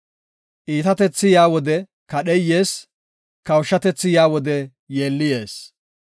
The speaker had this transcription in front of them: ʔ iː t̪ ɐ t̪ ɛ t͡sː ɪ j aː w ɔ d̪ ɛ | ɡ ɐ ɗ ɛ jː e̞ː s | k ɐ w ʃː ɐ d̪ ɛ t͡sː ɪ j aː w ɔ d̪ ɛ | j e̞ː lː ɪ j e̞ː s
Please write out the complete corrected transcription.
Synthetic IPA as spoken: ʔ iː t̪ ɐ t̪ ɛ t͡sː ɪ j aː w ɔ d̪ ɛ | k ɐ ɗ ɛ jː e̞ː s | k ɐ w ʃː ɐ t̪ ɛ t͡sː ɪ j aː w ɔ d̪ ɛ | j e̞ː lː ɪ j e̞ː s